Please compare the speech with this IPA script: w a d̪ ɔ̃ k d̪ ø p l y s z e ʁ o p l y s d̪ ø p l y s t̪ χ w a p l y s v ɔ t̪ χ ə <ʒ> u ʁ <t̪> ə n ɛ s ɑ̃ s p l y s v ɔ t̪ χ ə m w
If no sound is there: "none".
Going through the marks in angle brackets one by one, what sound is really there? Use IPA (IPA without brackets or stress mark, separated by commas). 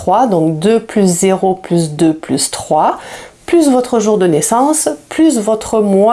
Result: ʒ, d̪